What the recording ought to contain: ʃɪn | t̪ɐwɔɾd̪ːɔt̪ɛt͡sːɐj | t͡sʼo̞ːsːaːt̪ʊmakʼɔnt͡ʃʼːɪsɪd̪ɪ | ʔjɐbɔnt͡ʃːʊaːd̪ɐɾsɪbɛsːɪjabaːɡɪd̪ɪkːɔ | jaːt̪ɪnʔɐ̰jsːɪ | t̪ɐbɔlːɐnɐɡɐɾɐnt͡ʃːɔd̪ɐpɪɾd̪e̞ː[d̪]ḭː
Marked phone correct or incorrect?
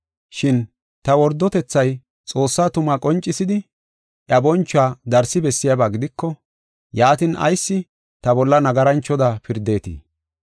incorrect